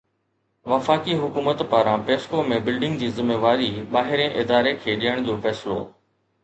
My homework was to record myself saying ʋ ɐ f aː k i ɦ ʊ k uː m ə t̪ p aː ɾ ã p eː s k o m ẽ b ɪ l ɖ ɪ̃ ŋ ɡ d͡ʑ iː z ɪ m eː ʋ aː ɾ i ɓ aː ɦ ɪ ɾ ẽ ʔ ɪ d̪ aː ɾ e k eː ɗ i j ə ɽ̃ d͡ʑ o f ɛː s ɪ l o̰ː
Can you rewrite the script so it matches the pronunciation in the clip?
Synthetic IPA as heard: ʋ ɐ f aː k i ɦ ʊ k uː m ə t̪ p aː ɾ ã p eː s k o m ẽ b ɪ l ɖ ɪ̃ ŋ ɡ d͡ʑ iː z ɪ m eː ʋ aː ɾ i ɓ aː ɦ ɪ ɾ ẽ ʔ ɪ d̪ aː ɾ e kʰ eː ɗ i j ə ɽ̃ d͡ʑ o f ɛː s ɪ l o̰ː